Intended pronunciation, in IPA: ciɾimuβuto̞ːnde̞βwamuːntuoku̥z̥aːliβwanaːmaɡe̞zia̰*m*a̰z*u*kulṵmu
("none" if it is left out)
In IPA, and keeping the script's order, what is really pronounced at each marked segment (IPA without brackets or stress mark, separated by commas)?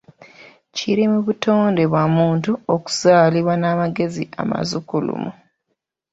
m, u